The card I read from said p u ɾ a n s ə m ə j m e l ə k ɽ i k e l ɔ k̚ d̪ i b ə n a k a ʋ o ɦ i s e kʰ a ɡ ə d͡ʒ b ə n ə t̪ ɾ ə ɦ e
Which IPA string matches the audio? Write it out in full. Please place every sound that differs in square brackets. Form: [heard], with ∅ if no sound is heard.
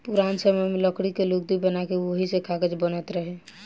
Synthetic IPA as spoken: p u ɾ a n s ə m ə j m e l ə k ɽ i k e l [o] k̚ d̪ i b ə n a k [e] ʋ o ɦ i s e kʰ a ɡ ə d͡ʒ b ə n ə t̪ ɾ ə ɦ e